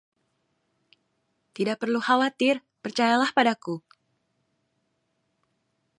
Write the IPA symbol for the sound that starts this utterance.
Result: t̪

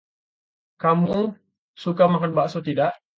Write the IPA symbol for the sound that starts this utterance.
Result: k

